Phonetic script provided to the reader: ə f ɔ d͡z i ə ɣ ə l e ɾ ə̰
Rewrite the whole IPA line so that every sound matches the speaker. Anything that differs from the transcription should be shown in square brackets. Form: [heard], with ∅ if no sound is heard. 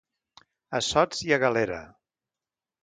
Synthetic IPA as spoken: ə [s] ɔ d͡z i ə ɣ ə l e ɾ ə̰